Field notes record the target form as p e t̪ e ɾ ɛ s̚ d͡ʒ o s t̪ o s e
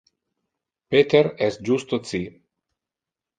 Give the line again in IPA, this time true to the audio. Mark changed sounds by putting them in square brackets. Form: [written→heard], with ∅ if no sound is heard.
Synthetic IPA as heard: p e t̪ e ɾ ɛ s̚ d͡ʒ [o→u] s t̪ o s [e→i]